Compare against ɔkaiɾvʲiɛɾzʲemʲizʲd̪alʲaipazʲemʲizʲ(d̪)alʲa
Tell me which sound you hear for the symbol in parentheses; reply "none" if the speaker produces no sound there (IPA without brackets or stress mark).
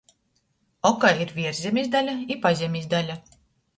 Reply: d̪